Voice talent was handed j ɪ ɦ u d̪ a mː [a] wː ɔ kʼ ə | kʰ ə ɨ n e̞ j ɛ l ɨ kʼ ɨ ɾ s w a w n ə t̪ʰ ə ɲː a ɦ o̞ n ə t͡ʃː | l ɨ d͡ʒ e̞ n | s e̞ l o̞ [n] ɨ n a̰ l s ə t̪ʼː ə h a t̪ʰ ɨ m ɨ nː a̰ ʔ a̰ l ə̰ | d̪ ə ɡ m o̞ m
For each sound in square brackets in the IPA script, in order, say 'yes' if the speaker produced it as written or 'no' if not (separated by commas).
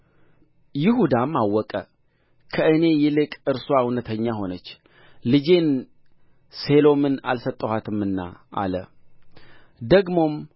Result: yes, no